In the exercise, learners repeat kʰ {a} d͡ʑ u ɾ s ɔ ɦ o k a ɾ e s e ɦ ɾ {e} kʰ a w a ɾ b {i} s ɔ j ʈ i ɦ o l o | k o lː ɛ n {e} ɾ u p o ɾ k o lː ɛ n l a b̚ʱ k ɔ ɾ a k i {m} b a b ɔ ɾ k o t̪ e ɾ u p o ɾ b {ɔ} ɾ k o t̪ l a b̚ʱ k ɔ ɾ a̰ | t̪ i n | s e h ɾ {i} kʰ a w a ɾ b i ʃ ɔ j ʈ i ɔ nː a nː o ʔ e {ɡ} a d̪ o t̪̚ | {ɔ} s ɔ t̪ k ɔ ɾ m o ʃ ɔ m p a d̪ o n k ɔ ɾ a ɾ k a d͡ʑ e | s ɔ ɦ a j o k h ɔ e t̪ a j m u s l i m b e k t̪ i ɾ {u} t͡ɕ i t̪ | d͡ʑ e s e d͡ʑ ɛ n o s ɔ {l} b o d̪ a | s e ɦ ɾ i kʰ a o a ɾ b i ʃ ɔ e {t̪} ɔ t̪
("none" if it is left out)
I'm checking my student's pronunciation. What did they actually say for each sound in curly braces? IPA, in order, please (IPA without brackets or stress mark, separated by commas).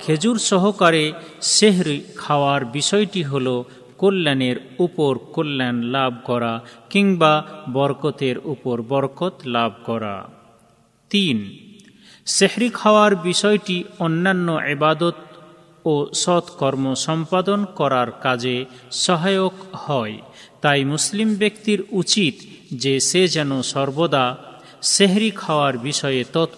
e, i, i, e, ŋ, ɔ, i, b, o, u, ɾ, t̪